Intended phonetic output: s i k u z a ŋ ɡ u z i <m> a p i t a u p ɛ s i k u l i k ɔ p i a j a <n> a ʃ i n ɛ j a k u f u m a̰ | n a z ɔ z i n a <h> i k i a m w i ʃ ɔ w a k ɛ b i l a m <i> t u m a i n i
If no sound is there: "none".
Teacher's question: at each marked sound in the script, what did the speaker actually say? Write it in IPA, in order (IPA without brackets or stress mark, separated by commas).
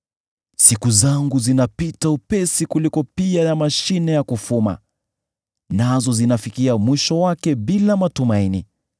n, m, f, a